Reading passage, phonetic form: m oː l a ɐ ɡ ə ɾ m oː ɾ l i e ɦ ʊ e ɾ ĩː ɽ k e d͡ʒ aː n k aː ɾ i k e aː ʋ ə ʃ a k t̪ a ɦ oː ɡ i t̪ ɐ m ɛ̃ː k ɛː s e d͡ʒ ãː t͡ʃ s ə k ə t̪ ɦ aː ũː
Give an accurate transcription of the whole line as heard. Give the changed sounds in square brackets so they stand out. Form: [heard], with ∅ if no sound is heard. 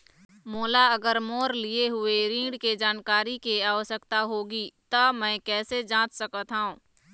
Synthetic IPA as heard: m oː l a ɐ ɡ ə ɾ m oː ɾ l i e ɦ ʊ e ɾ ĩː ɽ k e d͡ʒ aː n k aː ɾ i k e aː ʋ ə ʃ [ə] k t̪ a ɦ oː ɡ i t̪ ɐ m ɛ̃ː k ɛː s e d͡ʒ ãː t͡ʃ s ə k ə t̪ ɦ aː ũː